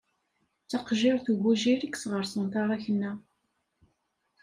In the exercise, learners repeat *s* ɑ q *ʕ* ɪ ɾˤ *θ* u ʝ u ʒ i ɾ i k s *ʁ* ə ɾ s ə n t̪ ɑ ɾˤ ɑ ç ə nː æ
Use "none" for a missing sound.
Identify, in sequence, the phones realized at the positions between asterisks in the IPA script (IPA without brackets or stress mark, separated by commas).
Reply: t͡s, ʒ, θ, ʁ